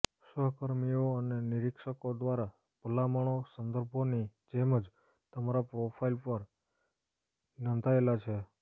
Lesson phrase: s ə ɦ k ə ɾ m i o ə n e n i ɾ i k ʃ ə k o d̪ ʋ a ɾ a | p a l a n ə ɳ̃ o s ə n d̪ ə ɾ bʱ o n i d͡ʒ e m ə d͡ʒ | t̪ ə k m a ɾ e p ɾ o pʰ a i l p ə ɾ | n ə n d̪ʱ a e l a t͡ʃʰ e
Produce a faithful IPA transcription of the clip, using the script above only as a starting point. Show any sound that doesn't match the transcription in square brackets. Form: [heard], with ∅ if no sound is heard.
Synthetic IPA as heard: s ə ɦ k ə ɾ m i o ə n e n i ɾ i k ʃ ə k o d̪ ʋ a ɾ a | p [ə] l a [m] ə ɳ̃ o s ə n d̪ ə ɾ bʱ o n i d͡ʒ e m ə d͡ʒ | t̪ ə [∅] m a ɾ [a] p ɾ o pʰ a i l p ə ɾ | n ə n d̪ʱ a e l a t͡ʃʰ e